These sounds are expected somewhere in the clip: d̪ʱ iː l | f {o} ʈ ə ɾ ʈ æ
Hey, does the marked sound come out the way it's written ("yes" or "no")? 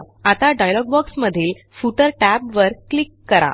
no